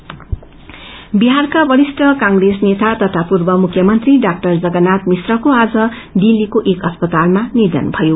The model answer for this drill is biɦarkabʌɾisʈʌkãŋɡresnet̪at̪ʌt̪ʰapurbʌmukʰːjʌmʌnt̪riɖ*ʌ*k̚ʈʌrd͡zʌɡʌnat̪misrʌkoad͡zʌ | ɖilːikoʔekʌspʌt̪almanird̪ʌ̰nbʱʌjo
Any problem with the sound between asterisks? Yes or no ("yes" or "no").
yes